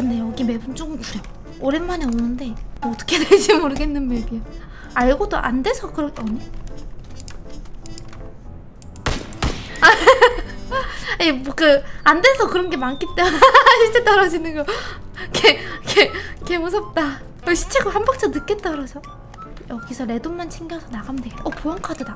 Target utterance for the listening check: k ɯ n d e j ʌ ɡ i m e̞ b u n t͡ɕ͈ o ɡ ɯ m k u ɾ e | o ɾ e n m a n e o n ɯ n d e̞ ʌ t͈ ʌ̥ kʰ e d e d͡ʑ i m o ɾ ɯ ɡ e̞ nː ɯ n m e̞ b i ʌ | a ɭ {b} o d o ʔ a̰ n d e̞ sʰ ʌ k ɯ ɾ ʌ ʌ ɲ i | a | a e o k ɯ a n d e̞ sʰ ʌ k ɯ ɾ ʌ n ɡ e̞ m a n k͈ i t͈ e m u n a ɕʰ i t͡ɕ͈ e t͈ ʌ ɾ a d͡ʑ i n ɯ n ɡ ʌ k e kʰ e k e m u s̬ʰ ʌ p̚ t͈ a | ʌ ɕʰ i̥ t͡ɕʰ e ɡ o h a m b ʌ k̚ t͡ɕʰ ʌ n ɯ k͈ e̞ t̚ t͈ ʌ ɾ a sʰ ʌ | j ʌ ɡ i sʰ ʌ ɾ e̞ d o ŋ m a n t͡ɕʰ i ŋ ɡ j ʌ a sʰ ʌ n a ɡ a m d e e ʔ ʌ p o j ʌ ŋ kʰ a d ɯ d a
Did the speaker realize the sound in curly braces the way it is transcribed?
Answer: no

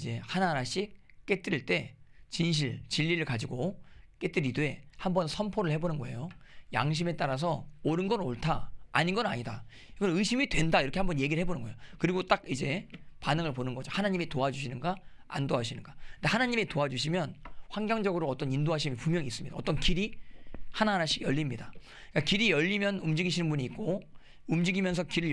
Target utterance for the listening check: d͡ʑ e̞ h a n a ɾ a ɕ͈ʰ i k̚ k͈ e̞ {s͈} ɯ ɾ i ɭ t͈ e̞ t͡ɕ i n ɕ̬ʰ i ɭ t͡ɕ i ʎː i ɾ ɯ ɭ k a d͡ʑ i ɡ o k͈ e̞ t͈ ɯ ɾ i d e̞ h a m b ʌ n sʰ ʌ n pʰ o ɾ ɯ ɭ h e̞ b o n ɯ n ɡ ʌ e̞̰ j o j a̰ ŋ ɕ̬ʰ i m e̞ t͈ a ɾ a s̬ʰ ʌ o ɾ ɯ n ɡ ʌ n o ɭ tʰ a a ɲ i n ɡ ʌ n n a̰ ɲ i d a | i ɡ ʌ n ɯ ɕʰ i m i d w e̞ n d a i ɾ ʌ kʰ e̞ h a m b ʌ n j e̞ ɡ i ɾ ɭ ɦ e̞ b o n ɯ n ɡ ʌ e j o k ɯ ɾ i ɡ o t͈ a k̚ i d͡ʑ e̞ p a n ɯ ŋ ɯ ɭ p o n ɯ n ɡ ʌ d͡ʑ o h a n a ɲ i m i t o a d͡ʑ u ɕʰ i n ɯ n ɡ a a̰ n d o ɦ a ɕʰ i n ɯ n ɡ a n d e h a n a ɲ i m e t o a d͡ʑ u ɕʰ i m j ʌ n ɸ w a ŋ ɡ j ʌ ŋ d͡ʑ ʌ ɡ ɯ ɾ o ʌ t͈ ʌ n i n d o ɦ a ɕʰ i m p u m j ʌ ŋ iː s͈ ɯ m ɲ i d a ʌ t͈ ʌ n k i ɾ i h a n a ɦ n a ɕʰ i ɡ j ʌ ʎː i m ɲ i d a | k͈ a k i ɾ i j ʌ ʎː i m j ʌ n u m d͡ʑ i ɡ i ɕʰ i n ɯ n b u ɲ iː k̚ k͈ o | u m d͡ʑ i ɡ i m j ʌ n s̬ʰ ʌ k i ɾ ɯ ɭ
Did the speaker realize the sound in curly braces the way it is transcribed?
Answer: no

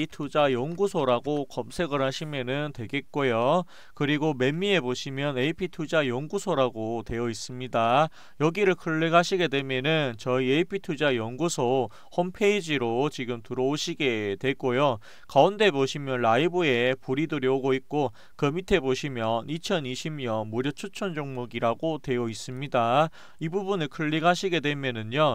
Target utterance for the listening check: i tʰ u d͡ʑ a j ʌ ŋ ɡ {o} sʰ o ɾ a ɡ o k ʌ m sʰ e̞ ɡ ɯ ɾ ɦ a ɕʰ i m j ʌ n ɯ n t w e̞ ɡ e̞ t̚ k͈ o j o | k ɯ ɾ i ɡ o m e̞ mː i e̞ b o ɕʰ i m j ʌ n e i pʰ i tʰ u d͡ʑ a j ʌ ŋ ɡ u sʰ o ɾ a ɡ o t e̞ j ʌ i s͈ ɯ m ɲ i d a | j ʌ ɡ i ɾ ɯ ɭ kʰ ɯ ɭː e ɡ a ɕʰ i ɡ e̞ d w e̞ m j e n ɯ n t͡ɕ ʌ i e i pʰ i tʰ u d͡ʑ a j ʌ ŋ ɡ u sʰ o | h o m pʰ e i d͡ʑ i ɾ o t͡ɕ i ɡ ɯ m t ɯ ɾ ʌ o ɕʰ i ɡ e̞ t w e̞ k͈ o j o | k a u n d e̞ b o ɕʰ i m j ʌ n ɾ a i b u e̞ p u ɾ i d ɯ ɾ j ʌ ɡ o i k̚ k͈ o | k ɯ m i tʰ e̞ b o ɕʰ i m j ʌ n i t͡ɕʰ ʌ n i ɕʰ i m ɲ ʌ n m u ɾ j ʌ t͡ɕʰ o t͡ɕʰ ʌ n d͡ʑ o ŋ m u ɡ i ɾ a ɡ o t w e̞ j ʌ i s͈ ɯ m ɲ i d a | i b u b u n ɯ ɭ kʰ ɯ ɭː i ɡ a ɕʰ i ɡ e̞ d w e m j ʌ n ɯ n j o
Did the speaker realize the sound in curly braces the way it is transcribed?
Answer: no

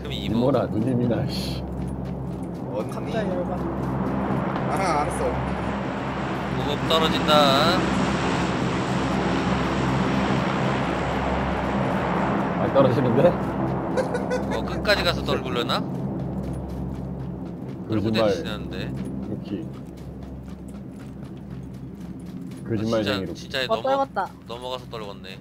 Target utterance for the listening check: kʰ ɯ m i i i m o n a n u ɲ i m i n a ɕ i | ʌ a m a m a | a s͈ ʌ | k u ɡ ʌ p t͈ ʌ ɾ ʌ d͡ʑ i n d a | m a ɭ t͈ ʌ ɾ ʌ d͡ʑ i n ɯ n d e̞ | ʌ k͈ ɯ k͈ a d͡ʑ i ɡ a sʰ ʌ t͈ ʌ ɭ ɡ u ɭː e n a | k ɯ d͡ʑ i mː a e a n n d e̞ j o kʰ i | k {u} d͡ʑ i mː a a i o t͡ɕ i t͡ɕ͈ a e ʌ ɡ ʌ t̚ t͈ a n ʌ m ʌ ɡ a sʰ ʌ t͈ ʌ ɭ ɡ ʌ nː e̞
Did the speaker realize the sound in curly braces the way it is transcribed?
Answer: no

